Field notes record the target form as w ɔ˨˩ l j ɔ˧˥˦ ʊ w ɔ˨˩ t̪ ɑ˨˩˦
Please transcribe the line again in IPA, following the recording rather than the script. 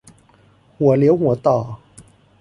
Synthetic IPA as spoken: w ɔ˨˩ l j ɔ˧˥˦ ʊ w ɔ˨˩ t̪ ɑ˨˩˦